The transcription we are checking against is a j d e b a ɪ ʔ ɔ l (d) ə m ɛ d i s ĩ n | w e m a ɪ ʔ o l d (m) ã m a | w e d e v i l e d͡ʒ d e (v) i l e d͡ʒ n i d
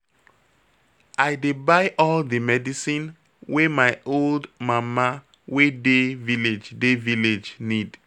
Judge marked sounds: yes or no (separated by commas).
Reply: yes, yes, yes